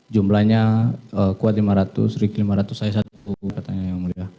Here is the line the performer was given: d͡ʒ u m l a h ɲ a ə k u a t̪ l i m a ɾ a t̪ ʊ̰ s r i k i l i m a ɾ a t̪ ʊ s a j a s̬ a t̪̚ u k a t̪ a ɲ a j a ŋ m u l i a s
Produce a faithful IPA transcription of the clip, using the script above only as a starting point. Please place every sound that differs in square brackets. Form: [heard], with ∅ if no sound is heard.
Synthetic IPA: d͡ʒ u m l a h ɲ a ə k u a t̪ l i m a ɾ a t̪ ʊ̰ s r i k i l i m a ɾ a t̪ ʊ s a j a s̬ a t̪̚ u k a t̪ a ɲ a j a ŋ m u l i a [h]